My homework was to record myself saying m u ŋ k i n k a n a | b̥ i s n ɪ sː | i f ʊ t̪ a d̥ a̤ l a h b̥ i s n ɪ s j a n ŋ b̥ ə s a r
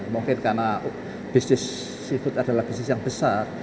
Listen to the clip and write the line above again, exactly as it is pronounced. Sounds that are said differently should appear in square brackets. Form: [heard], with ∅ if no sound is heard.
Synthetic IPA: m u ŋ k [ɪ] n k a n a | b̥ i s n ɪ sː | i f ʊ t̪ a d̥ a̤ l a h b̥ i s n ɪ s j a [∅] ŋ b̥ ə s a r